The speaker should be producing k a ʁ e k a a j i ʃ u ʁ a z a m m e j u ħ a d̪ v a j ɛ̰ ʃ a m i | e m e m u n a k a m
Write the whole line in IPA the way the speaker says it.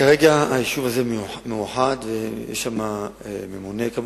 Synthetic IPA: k a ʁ e ɡ a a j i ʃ u v a z e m m e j u ħ a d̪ v e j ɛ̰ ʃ a m a | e m e m u n e k a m